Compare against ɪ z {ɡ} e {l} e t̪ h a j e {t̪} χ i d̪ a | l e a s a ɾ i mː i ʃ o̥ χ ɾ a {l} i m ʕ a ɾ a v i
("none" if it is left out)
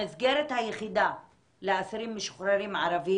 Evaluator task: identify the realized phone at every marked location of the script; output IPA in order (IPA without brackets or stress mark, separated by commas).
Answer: ɡ, ɾ, none, ɾ